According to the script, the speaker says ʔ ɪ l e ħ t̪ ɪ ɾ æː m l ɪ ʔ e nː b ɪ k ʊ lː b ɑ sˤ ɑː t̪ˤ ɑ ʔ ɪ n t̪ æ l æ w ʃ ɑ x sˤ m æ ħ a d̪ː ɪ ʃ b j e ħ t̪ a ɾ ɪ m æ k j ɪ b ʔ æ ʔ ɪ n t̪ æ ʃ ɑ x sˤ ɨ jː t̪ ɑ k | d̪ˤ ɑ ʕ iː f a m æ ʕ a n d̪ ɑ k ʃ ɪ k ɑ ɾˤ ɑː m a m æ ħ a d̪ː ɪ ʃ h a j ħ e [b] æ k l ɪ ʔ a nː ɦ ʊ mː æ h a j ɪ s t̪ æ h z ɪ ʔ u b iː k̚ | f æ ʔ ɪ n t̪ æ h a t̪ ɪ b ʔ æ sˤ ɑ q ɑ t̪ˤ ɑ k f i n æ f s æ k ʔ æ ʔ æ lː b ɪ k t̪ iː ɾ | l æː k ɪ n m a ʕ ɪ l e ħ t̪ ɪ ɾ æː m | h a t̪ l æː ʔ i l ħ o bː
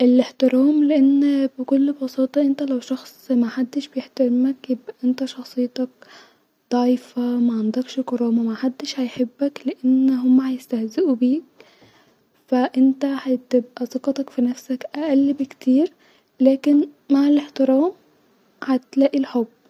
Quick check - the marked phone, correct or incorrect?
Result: incorrect